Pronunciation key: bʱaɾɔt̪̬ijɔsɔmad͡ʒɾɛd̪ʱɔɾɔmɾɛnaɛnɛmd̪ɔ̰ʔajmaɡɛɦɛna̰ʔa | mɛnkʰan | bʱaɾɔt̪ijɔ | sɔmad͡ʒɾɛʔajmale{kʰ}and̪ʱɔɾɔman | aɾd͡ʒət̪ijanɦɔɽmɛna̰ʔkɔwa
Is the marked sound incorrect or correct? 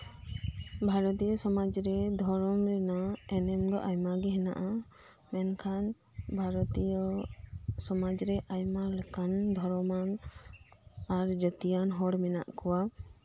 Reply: incorrect: k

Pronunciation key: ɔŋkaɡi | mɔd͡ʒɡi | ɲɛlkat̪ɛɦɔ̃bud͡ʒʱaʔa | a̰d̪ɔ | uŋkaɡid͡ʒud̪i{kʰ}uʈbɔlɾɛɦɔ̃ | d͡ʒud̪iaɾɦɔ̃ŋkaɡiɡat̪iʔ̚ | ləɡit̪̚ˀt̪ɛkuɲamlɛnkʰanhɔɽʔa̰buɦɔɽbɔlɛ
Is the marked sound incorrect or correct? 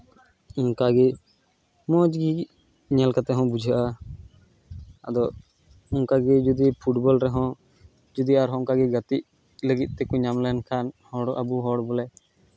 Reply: incorrect: pʰ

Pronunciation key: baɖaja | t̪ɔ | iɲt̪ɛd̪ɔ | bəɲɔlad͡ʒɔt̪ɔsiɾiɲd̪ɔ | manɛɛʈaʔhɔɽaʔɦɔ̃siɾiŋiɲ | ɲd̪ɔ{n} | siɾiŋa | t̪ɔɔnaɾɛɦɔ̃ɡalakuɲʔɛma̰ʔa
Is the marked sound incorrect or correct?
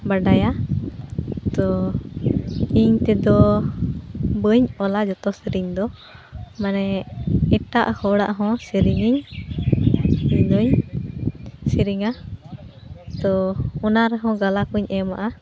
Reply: incorrect: ɲ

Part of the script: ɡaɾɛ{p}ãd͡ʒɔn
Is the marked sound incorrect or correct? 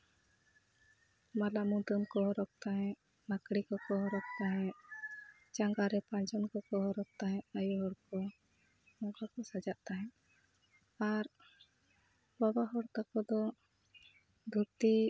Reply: correct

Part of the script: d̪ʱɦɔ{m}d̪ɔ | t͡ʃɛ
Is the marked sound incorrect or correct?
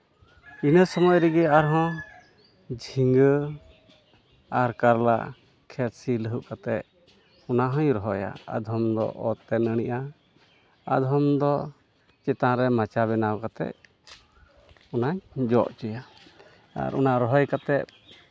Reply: correct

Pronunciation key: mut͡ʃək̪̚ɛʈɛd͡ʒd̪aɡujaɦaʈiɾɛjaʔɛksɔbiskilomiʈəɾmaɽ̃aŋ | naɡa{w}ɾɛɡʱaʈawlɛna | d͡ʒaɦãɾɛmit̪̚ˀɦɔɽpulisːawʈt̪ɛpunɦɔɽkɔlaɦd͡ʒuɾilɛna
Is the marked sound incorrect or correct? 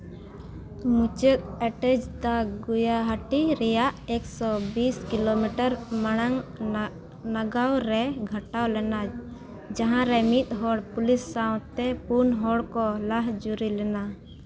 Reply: correct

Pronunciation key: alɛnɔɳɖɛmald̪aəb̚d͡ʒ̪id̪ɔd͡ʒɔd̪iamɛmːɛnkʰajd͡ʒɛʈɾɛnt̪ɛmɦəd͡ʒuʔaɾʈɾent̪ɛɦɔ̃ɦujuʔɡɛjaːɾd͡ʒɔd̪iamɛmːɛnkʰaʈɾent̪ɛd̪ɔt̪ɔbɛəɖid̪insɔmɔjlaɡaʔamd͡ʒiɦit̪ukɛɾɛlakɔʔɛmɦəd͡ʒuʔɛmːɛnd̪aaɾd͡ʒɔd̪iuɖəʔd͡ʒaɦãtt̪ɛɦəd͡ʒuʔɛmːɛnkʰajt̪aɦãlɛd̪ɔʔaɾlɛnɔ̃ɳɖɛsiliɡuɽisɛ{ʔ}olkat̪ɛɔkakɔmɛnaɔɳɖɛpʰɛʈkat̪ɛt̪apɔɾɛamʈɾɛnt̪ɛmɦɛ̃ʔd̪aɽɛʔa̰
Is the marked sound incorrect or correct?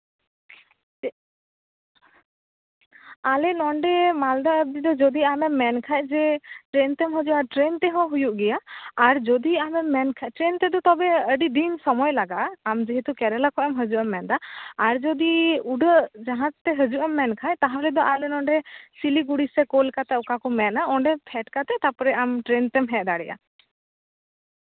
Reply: incorrect: k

